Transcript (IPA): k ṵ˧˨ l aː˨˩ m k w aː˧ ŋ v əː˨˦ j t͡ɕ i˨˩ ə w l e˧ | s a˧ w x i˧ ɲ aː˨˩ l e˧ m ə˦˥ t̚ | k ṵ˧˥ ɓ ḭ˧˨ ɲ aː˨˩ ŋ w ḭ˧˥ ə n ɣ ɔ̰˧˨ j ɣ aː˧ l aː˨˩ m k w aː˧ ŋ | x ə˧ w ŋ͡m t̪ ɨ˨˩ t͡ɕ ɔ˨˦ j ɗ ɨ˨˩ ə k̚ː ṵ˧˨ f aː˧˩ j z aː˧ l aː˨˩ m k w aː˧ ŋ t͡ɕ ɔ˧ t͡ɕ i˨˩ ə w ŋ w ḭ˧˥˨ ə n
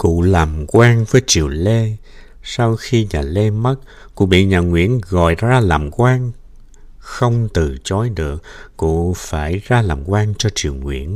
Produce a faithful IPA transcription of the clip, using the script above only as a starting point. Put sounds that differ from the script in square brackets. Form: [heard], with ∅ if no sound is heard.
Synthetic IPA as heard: k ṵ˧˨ l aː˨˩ m k w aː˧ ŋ v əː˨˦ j t͡ɕ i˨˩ ə w l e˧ | s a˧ w x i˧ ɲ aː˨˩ l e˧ m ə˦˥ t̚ | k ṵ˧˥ ɓ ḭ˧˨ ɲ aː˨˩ ŋ w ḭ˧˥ ə n ɣ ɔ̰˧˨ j [z] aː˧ l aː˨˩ m k w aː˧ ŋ | x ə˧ w ŋ͡m t̪ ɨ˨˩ t͡ɕ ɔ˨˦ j ɗ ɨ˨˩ ə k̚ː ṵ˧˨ f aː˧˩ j z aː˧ l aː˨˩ m k w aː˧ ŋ t͡ɕ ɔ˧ t͡ɕ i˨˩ ə w ŋ w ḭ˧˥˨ ə n